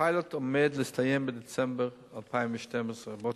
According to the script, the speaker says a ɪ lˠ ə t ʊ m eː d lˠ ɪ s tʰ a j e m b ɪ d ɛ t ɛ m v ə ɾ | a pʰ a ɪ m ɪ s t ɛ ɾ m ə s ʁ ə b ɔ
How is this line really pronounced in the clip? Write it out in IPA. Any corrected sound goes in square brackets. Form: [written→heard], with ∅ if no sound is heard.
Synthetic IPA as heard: a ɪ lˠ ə t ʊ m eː d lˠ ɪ s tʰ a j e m b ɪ d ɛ [t→t͡s] ɛ m [v→b] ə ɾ | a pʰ a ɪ m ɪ [s→ʃ] t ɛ [ɾ→∅] m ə s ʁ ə b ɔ